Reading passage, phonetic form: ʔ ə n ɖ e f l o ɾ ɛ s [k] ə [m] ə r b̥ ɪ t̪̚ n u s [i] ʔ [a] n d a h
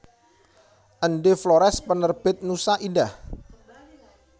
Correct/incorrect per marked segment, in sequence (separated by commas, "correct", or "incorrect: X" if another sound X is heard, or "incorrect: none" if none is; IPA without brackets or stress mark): incorrect: p, incorrect: n, incorrect: a, incorrect: i